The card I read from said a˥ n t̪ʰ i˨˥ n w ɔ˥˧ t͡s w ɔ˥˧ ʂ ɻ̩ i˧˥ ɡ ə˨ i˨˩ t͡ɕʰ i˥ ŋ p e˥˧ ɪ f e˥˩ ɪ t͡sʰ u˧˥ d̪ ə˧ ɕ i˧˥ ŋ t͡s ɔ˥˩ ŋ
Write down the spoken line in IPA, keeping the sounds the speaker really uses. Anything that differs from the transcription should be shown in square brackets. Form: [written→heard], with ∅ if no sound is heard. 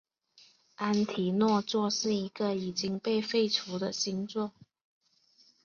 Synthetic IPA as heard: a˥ n t̪ʰ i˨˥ n w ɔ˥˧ t͡s w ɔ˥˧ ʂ ɻ̩ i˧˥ ɡ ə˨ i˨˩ [t͡ɕʰ→t͡ɕ] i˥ ŋ p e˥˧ ɪ f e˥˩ ɪ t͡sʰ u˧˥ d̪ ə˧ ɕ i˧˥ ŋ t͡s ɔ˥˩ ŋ